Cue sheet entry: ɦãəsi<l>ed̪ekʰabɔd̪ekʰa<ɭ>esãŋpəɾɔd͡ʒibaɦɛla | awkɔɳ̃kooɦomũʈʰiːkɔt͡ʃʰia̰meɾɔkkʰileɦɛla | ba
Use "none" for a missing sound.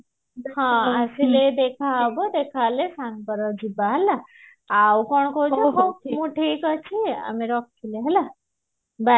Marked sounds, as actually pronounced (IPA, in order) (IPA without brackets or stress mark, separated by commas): l, l